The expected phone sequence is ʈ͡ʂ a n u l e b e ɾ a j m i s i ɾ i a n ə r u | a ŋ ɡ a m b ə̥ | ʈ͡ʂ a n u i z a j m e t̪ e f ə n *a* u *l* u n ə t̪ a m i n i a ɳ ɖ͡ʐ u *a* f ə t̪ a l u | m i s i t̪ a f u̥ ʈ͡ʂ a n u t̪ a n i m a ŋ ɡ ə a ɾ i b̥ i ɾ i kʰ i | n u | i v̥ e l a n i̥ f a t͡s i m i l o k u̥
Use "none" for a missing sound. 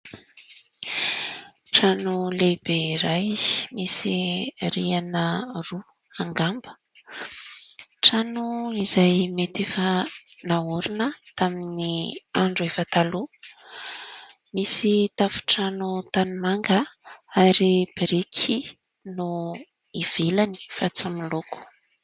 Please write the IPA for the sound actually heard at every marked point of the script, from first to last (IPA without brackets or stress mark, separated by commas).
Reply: a, ɾ, e